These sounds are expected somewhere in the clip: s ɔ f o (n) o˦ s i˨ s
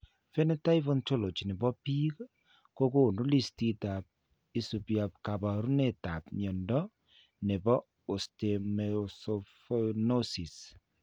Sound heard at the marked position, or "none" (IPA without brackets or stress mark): n